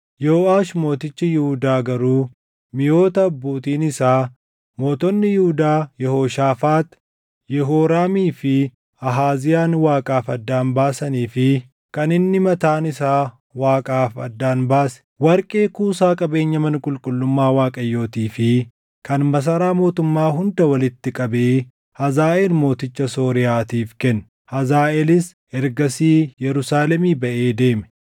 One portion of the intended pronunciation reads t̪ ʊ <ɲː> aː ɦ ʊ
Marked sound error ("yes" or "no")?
yes